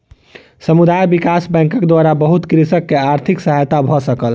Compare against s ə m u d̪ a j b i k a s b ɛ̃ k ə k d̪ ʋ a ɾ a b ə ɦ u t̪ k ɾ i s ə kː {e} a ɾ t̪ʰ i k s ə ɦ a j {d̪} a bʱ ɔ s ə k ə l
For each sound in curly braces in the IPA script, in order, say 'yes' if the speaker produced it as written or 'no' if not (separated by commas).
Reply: yes, no